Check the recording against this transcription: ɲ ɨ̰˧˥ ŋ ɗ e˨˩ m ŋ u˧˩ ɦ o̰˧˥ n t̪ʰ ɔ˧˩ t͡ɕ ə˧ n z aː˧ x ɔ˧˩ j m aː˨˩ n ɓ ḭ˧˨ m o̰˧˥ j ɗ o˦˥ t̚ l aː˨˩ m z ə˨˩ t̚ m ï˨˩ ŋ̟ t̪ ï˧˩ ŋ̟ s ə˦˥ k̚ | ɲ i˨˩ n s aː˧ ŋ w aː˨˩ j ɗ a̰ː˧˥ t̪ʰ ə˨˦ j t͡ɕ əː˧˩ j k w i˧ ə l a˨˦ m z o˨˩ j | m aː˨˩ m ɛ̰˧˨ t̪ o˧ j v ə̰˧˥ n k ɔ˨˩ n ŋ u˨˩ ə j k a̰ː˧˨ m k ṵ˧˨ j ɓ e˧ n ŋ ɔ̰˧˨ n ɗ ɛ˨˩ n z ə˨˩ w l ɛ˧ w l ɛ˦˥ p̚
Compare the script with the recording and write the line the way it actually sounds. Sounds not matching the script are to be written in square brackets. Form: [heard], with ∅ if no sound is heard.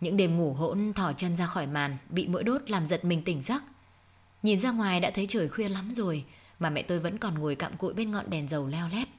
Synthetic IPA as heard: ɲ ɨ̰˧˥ ŋ ɗ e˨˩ m ŋ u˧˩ ɦ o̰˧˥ n t̪ʰ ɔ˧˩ t͡ɕ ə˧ n z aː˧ x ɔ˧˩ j m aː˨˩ n ɓ ḭ˧˨ m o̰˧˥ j ɗ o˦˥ t̚ l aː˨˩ m z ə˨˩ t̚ m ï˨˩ ŋ̟ t̪ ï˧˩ ŋ̟ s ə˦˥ k̚ | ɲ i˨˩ n [z] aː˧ ŋ w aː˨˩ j ɗ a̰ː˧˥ t̪ʰ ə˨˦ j t͡ɕ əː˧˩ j [x] w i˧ ə l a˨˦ m z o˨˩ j | m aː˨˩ m ɛ̰˧˨ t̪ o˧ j v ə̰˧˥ n k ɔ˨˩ n ŋ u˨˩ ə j k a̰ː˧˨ m k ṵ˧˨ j ɓ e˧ n ŋ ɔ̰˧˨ n ɗ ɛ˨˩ n z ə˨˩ w l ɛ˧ w l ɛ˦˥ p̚